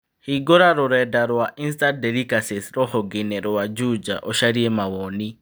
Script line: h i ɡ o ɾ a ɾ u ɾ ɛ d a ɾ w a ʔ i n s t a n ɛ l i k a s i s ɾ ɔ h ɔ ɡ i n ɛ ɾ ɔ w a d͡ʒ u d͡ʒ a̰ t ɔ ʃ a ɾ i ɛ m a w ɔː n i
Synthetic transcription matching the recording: h i ɡ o ɾ a ɾ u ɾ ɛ d a ɾ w a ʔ i n s t a d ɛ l i k a s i s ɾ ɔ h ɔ ɡ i n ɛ ɾ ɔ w a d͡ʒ u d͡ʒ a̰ ʔ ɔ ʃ a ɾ i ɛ m a w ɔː n i